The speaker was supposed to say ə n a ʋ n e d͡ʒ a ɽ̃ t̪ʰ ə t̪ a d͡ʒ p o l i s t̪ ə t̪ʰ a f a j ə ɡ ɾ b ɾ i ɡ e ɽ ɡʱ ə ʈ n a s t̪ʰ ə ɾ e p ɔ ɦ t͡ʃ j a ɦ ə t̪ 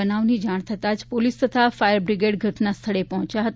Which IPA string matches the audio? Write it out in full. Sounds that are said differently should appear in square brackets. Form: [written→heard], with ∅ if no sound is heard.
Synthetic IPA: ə n a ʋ n [e→i] d͡ʒ a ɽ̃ t̪ʰ ə t̪ a d͡ʒ p o l i s t̪ ə t̪ʰ a f a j ə [ɡ→∅] ɾ b ɾ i ɡ e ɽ ɡʱ ə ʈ n a s t̪ʰ ə [ɾ→ɭ] e p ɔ ɦ t͡ʃ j a ɦ ə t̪